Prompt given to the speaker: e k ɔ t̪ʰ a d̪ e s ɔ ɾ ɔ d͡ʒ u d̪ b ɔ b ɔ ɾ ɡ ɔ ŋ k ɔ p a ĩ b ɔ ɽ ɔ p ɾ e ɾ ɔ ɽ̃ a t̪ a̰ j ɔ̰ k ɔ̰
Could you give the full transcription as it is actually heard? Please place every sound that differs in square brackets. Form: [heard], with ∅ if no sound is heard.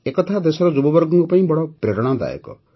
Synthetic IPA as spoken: e k ɔ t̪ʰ a d̪ e s ɔ ɾ ɔ d͡ʒ u [∅] b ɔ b ɔ ɾ ɡ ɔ ŋ k ɔ p a ĩ b ɔ ɽ ɔ p ɾ e ɾ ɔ ɽ̃ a [d̪] a̰ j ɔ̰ k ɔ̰